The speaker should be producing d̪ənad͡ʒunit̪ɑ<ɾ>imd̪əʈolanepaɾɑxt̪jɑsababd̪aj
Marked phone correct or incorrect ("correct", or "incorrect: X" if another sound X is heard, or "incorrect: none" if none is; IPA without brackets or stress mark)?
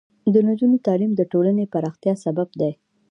incorrect: l